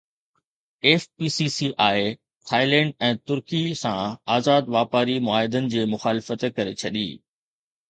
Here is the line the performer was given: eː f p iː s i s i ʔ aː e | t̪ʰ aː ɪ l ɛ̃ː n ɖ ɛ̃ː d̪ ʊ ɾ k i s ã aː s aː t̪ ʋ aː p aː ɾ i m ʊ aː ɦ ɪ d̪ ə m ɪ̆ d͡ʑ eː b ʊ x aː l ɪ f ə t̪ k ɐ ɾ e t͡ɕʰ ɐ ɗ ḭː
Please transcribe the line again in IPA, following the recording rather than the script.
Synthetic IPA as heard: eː f p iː s i s i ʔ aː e | t̪ʰ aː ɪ l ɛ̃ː ɳ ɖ ɛ̃ː t̪ ʊ ɾ k i s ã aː z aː d̪ ʋ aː p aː ɾ i m ʊ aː ɦ ɪ d̪ ə n ɪ̆ d͡ʑ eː m ʊ x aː l ɪ f ə t̪ k ɐ ɾ e t͡ɕʰ ɐ ɗ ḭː